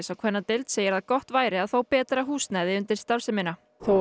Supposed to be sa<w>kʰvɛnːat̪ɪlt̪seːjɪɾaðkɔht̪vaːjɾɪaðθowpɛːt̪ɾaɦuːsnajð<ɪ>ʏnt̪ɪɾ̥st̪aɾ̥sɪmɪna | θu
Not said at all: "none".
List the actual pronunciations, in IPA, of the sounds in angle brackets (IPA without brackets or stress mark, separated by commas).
w, ɪ